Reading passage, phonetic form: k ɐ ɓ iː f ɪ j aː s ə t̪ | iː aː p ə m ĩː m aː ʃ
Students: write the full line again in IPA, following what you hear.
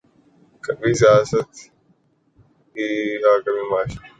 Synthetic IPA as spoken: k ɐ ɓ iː s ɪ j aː s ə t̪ | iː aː k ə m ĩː m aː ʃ